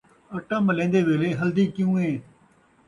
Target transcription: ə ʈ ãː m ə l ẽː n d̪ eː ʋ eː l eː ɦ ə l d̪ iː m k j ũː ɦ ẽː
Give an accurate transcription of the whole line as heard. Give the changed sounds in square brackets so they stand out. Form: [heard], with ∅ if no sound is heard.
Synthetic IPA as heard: ə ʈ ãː m ə l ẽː n d̪ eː ʋ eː l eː ɦ ə l d̪ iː [∅] k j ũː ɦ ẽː